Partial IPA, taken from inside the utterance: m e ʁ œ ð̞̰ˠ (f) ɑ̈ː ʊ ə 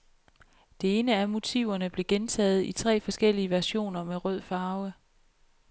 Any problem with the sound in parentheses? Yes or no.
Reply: no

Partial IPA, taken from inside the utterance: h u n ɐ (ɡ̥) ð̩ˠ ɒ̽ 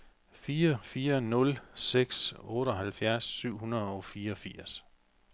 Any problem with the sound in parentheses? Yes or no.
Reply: yes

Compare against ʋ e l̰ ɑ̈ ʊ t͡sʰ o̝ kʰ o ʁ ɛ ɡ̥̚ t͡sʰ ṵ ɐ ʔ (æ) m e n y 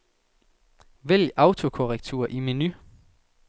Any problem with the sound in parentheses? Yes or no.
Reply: yes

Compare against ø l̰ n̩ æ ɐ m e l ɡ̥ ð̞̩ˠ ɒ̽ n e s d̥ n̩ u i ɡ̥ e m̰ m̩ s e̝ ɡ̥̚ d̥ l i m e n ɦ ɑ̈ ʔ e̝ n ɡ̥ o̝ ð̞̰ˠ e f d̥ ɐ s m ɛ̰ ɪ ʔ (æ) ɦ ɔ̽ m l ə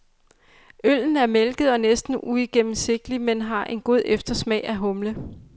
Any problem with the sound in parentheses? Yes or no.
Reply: no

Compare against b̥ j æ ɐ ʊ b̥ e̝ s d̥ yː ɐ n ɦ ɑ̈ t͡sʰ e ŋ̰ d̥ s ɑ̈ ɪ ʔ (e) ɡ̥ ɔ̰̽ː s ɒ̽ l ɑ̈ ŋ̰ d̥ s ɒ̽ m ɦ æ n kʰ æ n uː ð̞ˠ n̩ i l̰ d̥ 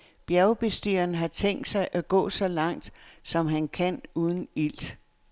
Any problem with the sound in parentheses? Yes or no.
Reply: yes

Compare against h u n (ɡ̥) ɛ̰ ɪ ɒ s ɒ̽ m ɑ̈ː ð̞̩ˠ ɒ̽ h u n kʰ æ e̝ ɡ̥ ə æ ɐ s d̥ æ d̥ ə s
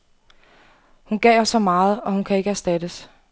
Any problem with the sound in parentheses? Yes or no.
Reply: no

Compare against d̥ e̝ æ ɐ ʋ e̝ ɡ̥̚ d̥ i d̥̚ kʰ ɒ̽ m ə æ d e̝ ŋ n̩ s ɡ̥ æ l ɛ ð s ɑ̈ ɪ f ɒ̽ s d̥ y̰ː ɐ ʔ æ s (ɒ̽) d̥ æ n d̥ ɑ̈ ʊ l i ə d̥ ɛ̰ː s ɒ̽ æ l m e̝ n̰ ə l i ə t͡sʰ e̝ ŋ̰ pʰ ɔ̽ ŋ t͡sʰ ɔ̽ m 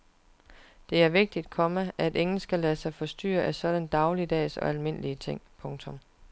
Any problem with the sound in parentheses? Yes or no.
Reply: no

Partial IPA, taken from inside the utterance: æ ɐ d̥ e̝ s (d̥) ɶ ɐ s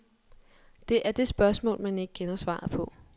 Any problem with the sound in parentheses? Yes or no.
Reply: yes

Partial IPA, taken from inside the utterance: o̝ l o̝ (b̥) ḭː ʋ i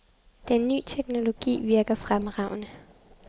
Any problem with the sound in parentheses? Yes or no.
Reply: yes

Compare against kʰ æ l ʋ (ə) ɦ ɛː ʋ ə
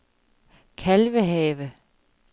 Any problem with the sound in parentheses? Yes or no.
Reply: no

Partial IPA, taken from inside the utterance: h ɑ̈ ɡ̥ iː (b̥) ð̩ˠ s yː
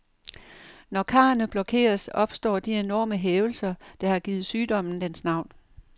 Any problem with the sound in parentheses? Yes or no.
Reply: yes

